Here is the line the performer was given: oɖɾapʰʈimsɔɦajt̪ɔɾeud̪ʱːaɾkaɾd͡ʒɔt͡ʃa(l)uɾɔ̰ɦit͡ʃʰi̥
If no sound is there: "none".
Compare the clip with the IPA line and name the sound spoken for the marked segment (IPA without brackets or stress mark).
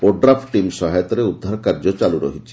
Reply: l